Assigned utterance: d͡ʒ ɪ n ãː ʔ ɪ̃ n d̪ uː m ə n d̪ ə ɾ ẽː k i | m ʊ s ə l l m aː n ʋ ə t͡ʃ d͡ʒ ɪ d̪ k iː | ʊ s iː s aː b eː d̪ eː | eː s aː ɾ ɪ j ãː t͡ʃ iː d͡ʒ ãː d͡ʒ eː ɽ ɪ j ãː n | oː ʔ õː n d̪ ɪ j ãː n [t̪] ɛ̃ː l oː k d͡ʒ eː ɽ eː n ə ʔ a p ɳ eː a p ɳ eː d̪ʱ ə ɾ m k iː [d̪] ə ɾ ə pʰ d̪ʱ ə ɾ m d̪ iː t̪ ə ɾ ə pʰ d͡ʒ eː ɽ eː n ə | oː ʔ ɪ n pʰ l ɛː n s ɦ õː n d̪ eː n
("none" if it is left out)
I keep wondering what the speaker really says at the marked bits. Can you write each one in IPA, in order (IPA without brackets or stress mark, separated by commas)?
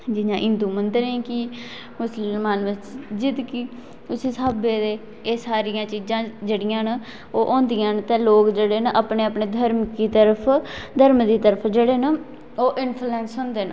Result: t̪, t̪